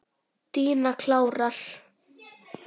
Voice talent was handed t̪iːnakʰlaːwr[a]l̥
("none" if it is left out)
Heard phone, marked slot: a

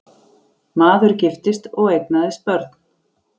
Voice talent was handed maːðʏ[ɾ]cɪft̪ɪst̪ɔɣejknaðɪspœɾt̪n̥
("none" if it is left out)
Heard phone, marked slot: ɾ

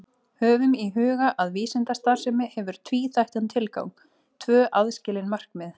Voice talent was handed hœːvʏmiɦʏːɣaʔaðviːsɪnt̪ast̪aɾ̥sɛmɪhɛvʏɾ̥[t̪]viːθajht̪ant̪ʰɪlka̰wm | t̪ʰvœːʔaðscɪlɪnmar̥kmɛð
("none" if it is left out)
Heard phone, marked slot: t̪ʰ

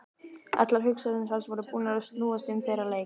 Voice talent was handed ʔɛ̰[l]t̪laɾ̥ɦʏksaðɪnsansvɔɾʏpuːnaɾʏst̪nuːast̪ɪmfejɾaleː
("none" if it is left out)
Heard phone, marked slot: none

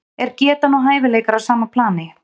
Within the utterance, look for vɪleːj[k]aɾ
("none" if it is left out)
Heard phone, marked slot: k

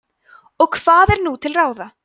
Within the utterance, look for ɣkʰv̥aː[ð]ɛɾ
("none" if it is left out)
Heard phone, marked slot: ð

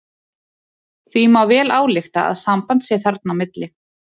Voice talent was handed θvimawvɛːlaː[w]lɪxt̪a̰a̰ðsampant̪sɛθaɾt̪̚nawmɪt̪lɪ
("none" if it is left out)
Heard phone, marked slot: w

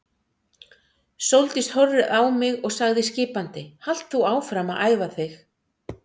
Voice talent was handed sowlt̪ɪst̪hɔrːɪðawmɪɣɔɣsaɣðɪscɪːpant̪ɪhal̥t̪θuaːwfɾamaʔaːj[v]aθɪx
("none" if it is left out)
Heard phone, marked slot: v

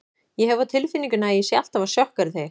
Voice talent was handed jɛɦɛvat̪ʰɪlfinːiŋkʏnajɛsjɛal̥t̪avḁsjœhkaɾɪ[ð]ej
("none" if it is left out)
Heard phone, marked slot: θ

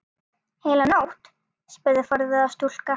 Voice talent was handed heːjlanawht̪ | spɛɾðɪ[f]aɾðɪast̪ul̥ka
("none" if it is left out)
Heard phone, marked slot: f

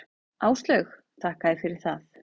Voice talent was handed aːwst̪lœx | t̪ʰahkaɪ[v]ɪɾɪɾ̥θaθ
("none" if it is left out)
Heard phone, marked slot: f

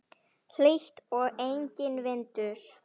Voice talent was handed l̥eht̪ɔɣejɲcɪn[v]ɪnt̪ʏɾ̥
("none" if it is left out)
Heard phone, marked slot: v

